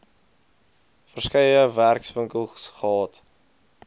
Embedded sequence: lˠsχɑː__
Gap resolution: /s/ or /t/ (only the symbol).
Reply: t